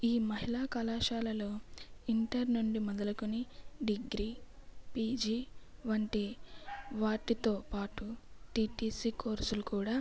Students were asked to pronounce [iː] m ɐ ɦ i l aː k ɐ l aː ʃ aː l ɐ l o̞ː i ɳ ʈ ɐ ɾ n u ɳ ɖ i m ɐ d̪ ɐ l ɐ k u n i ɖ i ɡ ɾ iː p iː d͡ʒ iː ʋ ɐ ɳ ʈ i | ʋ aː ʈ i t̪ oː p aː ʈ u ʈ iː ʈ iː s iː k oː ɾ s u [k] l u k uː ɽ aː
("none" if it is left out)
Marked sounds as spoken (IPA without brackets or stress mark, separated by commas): iː, none